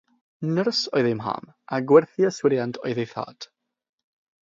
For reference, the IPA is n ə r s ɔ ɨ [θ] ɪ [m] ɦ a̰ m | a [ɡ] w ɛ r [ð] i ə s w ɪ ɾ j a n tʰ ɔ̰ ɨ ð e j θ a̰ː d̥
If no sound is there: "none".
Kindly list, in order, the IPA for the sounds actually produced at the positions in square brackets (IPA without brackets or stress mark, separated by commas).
ð, m, ɡ, θ